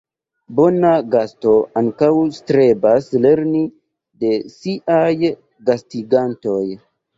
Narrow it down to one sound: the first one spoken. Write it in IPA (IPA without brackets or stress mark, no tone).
b